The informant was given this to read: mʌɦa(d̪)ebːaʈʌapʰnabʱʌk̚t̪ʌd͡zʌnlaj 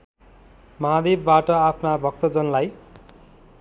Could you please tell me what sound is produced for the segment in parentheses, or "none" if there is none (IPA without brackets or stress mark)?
d̪